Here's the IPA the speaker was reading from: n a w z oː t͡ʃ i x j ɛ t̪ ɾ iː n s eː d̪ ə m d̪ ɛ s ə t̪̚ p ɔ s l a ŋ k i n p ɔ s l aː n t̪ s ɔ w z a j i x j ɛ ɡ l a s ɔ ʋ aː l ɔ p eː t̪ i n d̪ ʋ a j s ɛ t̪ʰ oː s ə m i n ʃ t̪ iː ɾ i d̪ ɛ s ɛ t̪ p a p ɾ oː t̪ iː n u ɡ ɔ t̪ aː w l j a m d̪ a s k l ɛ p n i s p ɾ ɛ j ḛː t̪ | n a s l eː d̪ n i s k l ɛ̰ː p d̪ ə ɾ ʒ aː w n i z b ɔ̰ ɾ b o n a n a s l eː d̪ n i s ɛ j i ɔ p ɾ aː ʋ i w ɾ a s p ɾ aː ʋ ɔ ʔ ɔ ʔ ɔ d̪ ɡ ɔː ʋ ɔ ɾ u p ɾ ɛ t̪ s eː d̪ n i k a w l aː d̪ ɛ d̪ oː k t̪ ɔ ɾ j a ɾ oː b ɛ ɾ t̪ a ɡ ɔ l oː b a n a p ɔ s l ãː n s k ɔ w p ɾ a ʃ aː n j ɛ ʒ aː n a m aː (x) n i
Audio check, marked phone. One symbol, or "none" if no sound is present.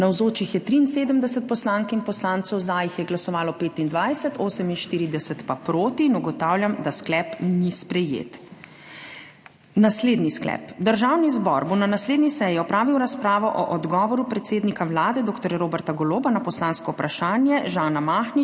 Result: x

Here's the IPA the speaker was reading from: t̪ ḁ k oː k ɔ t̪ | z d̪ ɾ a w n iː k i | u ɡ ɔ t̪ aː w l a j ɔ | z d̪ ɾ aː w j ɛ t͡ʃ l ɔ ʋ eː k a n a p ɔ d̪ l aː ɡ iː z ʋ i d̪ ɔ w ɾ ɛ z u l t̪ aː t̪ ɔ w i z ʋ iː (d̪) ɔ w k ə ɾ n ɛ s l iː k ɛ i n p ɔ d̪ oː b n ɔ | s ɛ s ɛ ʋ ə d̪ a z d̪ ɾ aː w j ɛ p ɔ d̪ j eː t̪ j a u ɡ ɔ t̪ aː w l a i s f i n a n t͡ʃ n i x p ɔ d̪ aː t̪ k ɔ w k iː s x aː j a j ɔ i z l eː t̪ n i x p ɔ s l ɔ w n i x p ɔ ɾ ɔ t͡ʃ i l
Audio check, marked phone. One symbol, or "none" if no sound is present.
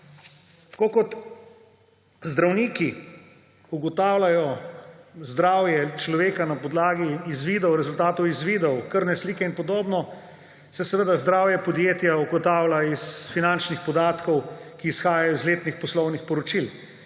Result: d̪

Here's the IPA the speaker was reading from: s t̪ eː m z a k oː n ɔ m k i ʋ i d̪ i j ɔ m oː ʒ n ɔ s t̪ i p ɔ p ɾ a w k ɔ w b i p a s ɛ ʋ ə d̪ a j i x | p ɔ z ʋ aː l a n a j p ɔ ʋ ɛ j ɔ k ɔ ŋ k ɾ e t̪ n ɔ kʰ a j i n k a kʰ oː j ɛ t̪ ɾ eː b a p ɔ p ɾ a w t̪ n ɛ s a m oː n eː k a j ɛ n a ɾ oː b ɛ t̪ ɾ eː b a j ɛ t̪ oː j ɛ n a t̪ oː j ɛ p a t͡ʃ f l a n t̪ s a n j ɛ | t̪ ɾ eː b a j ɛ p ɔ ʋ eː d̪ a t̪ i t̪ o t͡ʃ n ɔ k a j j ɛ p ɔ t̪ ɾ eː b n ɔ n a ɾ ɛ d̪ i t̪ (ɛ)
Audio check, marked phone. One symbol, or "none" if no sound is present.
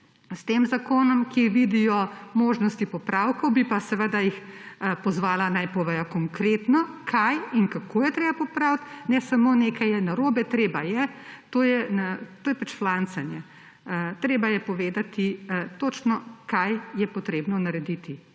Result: i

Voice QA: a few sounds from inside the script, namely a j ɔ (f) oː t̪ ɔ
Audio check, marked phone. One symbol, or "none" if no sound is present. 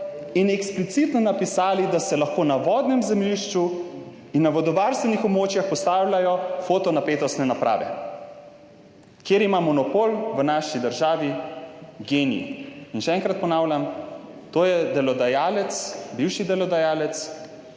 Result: f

